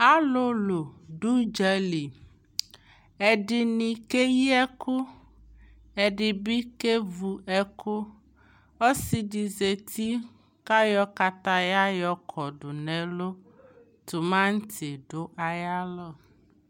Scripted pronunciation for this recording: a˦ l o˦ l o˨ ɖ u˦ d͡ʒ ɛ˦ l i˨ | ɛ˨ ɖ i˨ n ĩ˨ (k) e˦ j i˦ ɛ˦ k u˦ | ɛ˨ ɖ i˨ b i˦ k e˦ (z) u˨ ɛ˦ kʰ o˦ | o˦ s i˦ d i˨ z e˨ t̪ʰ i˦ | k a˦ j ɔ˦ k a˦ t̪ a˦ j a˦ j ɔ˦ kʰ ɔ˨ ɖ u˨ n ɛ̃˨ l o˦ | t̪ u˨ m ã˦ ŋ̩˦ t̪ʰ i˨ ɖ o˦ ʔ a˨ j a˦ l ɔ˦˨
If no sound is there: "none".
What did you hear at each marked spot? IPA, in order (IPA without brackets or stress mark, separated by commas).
k, v